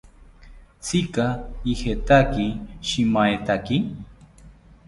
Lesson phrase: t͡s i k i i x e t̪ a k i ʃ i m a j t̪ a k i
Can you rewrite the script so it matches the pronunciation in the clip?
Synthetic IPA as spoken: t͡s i k a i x e t̪ a k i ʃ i m a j t̪ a k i